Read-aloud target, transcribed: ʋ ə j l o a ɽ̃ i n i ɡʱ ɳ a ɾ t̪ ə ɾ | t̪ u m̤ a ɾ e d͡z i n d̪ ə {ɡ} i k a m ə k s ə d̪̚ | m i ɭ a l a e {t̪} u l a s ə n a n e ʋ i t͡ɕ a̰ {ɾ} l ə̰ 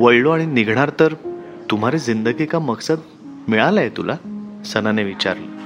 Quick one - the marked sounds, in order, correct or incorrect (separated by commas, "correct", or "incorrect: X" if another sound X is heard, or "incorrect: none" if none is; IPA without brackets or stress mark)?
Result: correct, correct, correct